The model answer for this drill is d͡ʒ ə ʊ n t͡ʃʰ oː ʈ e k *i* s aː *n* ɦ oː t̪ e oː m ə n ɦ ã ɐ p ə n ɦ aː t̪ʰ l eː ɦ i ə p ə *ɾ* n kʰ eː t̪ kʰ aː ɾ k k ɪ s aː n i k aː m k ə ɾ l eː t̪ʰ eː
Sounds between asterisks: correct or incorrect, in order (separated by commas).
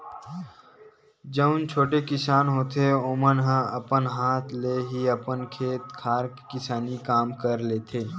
incorrect, correct, incorrect